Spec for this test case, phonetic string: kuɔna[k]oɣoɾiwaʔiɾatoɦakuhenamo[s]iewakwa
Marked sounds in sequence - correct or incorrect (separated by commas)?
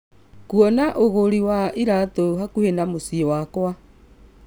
incorrect, correct